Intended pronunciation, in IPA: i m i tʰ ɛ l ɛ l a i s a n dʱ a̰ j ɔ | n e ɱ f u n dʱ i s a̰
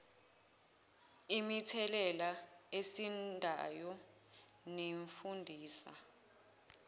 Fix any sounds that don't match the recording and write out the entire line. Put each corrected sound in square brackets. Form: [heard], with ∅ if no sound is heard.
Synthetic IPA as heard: i m i tʰ ɛ l ɛ l a [e] s [i] n dʱ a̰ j ɔ | n e ɱ f u n dʱ [iː] s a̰